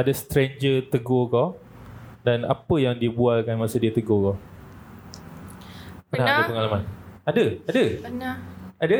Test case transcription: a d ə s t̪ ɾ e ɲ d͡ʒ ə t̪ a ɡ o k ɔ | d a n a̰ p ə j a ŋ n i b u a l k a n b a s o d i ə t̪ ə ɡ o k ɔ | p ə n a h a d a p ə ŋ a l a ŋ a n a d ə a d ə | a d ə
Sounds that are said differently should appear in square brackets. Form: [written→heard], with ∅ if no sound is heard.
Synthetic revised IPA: a d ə s t̪ ɾ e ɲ d͡ʒ ə t̪ [a→ə] ɡ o k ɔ | d a n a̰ p ə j a ŋ [n→d] i b u a l k a n [b→m] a s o d i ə t̪ ə ɡ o k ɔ | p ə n a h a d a p ə ŋ a l a [ŋ→m] a n a d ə a d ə | a d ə